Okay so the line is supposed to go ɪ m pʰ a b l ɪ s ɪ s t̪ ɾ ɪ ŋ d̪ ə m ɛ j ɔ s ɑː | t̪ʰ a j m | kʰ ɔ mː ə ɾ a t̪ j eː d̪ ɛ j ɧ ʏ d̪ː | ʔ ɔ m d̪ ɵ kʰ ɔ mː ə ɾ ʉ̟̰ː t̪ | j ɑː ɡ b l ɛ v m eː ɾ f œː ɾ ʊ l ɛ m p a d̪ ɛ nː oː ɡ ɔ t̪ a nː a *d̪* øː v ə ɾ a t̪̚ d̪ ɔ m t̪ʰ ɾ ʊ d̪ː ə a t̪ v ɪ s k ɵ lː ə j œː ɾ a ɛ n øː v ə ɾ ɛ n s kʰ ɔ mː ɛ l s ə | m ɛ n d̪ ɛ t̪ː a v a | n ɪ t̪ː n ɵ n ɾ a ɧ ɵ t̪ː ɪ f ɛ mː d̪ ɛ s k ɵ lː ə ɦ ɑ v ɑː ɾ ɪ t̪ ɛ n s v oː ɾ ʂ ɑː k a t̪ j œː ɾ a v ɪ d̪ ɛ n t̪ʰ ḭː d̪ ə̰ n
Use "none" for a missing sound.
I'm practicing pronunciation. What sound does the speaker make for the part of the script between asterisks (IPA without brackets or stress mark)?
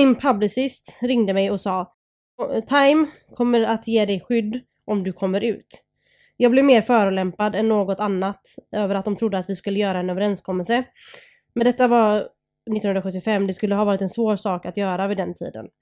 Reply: t̪